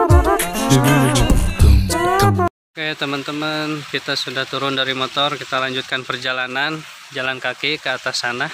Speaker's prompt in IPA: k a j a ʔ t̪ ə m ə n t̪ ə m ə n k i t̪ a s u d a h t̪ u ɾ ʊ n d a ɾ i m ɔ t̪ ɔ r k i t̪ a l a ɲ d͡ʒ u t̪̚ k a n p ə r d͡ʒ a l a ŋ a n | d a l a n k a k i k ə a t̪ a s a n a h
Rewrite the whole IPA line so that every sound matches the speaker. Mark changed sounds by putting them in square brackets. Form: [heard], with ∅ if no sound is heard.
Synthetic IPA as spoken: k a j a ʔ t̪ ə m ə n t̪ ə m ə n k i t̪ a s u d a h t̪ u ɾ ʊ n d a ɾ i m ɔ t̪ ɔ r k i t̪ a l a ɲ d͡ʒ u t̪̚ k a n p ə r d͡ʒ a l a [n] a n | [d͡ʒ] a l a n k a k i k ə a t̪ a s a n a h

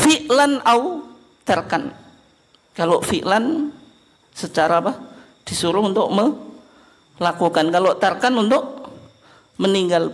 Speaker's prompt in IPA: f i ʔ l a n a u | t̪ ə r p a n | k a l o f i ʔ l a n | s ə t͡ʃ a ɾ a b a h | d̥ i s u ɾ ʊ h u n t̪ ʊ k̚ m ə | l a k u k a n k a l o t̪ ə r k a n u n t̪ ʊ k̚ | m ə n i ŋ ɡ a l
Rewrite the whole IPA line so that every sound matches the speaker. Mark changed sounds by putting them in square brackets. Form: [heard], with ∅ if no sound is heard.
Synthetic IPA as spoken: f i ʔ l a n a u | t̪ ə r [k] a n | k a l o f i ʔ l a n | s ə t͡ʃ a ɾ a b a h | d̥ i s u ɾ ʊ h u n t̪ ʊ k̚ m ə | l a k u k a n k a l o t̪ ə r k a n u n t̪ ʊ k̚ | m ə n i ŋ ɡ a l

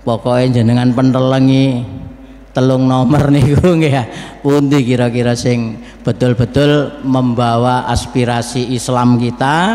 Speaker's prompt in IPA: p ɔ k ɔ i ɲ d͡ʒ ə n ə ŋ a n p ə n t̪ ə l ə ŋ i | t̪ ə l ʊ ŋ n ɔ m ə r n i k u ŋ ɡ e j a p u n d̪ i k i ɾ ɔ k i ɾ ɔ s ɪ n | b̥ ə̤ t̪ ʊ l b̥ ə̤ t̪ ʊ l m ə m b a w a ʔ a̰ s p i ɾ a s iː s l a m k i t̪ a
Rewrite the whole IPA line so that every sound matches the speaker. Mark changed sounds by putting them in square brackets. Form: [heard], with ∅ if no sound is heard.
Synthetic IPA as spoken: p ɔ k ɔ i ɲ d͡ʒ ə n ə ŋ a n p ə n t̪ ə l ə ŋ i | t̪ ə l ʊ ŋ n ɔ m ə r n i k u ŋ ɡ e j a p u n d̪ i k i ɾ ɔ k i ɾ ɔ s ɪ [ŋ] | b̥ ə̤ t̪ ʊ l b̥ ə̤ t̪ ʊ l m ə m b a w a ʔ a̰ s p i ɾ a s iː s l a m k i t̪ a

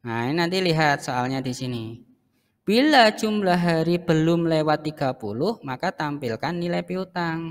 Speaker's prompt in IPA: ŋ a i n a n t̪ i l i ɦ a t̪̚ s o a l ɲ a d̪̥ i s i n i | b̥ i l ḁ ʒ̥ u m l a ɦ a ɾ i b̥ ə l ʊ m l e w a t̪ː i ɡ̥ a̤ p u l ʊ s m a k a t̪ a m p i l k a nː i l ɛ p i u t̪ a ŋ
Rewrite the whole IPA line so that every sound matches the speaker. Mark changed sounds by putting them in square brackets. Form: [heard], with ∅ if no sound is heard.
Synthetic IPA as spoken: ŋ a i n a n t̪ i l i ɦ a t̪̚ s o a l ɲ a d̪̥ i s i n i | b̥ i l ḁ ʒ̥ u m l a ɦ a ɾ i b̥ ə l ʊ m l e w a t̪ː i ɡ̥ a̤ p u l ʊ [h] m a k a t̪ a m p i l k a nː i l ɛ p i u t̪ a ŋ

